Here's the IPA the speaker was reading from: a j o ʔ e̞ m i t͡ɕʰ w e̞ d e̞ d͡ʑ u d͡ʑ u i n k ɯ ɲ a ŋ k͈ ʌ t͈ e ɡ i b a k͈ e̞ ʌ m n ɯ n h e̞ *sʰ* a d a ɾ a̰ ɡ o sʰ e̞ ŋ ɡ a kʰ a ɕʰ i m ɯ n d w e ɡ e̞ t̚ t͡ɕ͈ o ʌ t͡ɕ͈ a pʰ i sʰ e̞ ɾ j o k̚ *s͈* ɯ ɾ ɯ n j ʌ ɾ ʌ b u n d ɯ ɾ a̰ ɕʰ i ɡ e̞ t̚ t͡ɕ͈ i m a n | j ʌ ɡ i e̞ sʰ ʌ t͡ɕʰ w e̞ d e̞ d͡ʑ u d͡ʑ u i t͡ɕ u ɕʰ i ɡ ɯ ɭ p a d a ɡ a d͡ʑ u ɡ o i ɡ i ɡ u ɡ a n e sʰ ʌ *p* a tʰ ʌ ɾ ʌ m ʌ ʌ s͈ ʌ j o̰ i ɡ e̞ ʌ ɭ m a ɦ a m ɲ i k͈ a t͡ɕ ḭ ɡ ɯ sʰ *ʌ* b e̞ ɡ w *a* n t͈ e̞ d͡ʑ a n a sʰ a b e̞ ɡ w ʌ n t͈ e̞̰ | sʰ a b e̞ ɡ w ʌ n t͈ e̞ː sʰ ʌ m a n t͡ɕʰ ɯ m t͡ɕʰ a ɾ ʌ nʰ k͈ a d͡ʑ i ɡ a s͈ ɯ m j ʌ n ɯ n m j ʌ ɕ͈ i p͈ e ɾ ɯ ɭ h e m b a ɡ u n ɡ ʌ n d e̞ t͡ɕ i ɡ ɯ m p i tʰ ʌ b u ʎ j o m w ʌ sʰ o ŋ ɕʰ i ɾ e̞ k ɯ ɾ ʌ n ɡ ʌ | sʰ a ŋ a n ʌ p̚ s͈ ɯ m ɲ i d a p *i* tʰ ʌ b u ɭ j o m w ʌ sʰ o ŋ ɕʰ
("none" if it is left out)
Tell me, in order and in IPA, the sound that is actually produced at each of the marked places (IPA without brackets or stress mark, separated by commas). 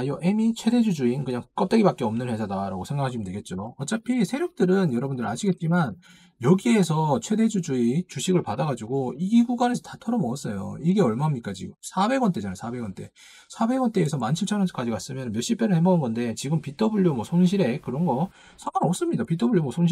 sʰ, t͈, t, a, ʌ, i